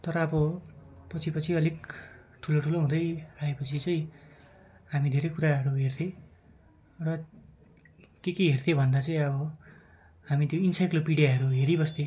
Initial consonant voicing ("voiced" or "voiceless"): voiceless